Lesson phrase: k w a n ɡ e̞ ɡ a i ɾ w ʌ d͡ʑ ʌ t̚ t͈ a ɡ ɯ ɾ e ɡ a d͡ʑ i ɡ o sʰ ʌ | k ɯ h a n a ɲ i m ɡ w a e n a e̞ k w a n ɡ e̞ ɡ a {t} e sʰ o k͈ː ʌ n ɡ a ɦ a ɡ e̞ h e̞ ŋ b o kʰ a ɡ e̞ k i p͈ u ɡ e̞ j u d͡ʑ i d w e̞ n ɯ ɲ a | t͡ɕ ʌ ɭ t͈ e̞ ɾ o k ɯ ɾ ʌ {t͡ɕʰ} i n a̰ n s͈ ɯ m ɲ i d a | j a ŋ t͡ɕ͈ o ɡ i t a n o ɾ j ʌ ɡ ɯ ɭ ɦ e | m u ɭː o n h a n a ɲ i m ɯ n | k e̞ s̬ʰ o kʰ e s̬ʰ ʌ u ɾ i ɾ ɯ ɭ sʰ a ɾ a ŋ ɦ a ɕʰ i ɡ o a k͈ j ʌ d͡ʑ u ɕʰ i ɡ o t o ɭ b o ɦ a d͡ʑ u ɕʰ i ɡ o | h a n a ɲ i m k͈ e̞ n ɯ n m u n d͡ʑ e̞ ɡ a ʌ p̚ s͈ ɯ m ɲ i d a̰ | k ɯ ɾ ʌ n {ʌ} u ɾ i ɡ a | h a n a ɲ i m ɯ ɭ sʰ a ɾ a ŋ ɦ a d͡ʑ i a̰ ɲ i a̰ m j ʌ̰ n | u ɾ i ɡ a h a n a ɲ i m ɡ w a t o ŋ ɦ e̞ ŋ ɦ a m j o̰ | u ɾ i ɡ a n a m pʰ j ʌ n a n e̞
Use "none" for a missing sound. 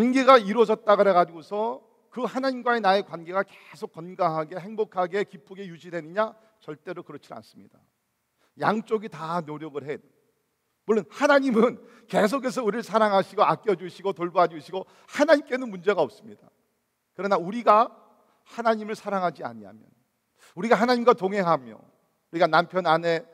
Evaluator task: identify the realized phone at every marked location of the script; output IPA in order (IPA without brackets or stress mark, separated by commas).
k, t͡ɕʰ, a